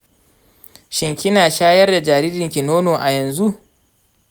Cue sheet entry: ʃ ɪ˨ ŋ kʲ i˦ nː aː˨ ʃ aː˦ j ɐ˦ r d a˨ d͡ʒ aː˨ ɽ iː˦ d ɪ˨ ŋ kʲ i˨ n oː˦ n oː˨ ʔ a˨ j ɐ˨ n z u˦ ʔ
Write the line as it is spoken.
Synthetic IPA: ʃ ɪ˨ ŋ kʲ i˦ n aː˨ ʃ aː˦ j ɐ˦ r d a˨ d͡ʒ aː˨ ɾ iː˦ d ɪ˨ ŋ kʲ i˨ n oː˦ n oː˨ ʔ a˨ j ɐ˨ n z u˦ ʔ

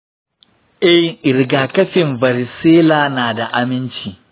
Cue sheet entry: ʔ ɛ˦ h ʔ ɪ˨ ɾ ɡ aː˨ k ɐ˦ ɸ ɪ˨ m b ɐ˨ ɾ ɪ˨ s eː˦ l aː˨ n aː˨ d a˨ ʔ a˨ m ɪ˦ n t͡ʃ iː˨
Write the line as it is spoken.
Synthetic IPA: ʔ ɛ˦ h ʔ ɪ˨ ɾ ɡ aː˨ k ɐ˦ ɸ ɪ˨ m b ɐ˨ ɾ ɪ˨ s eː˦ l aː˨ n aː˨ d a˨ ʔ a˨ m ɪ˦ n t͡ʃ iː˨

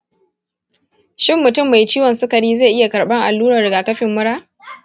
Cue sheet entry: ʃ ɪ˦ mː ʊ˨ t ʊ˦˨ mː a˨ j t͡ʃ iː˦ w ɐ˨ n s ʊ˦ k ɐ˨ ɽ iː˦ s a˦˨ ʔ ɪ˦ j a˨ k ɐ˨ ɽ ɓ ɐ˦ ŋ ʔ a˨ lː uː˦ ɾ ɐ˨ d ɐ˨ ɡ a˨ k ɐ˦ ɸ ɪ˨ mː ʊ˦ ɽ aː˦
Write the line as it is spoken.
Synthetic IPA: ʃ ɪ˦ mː ʊ˨ t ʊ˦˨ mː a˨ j t͡ʃ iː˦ w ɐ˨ n s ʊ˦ k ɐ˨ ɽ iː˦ z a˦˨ ʔ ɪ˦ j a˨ k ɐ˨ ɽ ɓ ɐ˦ ŋ ʔ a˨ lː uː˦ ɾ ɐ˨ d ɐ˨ ɡ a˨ k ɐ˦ ɸ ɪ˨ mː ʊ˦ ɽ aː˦

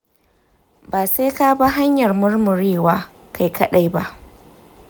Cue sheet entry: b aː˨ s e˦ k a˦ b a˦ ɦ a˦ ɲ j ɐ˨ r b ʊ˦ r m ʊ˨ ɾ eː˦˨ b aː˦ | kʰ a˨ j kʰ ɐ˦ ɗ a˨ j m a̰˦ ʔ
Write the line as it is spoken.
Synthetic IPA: b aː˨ s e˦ k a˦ b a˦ ɦ a˦ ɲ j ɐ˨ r m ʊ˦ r m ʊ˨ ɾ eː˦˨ w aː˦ | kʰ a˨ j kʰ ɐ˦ ɗ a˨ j b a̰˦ ʔ

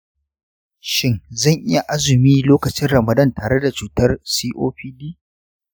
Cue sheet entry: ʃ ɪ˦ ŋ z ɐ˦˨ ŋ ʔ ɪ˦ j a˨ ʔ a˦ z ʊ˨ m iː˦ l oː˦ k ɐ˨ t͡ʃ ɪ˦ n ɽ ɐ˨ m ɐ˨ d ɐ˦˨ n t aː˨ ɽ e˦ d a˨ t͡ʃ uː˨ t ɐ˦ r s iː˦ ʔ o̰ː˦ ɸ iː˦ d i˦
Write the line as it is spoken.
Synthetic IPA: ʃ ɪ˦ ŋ z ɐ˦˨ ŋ ʔ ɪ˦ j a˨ ʔ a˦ z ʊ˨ m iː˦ l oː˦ k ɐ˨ t͡ʃ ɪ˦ n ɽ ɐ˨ m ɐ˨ d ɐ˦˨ n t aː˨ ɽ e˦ d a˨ t͡ʃ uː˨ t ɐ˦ r s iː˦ ʔ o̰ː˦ ɸ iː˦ d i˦

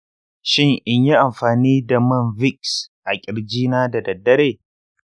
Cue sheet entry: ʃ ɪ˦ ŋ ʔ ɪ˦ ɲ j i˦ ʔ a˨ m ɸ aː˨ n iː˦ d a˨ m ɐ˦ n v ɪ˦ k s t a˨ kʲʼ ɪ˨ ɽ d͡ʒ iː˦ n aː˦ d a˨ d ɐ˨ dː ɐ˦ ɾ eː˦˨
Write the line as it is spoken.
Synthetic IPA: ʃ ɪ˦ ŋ ʔ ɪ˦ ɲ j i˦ ʔ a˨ m ɸ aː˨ n iː˦ d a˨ m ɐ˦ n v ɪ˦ k s ʔ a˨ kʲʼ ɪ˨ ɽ d͡ʒ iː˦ n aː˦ d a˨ d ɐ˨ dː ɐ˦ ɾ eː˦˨

